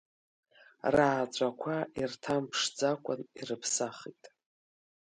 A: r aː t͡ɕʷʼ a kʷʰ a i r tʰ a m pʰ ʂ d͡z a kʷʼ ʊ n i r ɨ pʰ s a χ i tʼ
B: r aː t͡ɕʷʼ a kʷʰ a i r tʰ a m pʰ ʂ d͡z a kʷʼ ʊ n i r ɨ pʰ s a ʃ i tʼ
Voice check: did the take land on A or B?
A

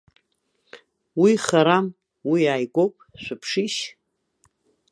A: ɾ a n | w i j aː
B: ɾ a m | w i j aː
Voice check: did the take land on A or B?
B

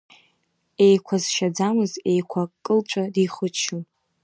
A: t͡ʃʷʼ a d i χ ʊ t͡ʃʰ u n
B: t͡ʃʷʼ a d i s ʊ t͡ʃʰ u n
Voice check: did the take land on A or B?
A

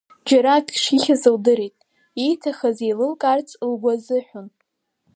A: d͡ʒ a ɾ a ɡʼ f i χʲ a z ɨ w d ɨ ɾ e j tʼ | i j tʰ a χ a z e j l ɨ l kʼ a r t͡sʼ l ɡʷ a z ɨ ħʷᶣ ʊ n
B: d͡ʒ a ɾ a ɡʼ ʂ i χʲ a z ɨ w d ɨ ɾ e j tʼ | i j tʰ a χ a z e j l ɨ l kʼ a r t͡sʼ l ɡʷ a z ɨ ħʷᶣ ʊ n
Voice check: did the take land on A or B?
B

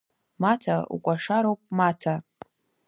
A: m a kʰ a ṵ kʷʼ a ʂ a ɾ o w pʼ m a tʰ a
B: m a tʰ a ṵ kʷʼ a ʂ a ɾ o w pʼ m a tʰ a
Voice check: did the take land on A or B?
B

